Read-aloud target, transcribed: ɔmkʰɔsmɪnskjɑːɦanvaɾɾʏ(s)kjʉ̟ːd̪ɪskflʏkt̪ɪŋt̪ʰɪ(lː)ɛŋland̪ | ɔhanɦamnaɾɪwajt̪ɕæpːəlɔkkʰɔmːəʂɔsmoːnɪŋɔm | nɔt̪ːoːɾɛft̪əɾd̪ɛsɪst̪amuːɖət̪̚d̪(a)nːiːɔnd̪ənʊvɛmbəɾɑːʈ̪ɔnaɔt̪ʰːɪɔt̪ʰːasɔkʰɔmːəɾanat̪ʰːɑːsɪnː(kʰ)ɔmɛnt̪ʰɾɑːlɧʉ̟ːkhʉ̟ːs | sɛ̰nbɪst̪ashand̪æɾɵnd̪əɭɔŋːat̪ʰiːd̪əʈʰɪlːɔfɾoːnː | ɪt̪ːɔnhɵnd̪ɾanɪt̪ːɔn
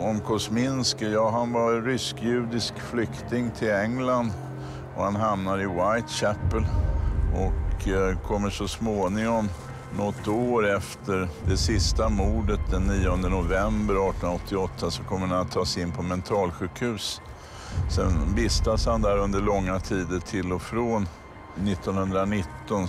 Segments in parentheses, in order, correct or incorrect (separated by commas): correct, incorrect, incorrect, incorrect